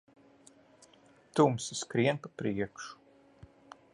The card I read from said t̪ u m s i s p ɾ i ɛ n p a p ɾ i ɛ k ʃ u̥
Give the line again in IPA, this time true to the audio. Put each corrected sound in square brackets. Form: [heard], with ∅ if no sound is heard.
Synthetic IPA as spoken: t̪ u m s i s [k] ɾ i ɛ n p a p ɾ i ɛ k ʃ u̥